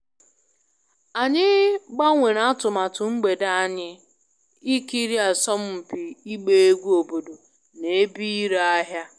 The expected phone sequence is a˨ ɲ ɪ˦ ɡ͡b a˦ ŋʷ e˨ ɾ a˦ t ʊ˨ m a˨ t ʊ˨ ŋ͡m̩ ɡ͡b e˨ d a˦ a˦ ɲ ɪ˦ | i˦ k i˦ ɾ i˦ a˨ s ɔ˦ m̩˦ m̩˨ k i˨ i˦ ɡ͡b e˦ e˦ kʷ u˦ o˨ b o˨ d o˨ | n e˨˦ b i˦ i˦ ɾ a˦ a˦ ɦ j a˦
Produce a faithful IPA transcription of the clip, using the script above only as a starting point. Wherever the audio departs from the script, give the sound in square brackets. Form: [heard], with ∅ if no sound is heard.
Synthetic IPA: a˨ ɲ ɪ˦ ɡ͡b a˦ ŋʷ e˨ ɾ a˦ t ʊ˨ m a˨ t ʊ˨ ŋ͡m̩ ɡ͡b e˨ d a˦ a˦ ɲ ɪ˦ | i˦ k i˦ ɾ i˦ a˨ s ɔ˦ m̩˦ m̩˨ [p] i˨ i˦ ɡ͡b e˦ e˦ [ɡʷ] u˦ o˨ b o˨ d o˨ | n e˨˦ b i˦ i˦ ɾ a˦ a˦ ɦ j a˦